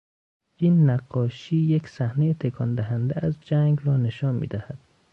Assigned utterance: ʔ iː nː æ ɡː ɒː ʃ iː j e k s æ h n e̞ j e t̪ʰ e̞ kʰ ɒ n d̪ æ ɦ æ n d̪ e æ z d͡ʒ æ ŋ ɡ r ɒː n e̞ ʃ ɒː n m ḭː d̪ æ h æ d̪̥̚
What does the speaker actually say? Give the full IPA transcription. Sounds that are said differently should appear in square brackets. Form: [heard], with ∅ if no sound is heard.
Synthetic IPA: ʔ iː nː æ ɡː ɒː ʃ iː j e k s æ h n e̞ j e t̪ʰ e̞ kʰ ɒ n d̪ æ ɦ æ n d̪ e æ z d͡ʒ æ ŋ ɡ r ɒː n e̞ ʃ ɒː n m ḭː d̪ æ h æ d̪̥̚